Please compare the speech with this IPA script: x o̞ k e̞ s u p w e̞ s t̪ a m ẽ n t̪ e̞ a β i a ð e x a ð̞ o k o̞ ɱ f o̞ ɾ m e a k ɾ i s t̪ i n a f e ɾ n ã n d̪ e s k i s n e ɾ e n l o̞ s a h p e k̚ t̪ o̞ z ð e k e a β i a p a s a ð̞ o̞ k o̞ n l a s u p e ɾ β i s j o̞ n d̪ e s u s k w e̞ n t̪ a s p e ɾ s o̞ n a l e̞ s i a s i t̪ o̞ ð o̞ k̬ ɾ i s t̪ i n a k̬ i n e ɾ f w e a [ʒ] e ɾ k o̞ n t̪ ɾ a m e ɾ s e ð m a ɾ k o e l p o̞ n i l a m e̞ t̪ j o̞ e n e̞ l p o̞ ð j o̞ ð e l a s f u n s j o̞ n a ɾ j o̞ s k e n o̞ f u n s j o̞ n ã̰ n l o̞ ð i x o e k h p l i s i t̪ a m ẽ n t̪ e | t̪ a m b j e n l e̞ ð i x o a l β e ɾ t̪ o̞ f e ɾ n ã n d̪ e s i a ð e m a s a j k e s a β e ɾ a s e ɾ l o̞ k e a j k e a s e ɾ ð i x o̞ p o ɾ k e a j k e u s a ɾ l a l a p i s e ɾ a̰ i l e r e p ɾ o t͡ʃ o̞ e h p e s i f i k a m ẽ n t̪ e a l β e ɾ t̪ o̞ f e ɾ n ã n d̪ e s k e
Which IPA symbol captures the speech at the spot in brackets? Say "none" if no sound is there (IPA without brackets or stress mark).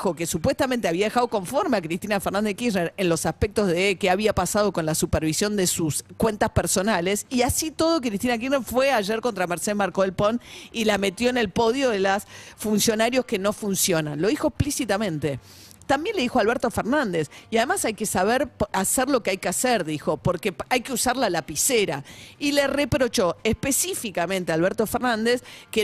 ʒ